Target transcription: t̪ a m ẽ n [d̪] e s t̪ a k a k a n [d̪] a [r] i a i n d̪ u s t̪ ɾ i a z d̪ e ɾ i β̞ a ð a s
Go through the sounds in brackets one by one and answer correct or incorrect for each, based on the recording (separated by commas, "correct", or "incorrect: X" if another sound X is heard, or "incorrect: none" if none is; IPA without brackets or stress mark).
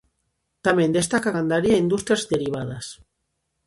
correct, correct, incorrect: ɾ